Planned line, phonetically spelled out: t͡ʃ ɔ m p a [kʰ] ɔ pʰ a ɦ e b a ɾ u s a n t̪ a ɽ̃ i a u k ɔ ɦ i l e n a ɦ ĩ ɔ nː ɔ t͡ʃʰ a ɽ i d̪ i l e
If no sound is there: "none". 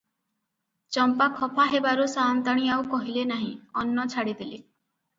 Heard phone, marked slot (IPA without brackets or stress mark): kʰ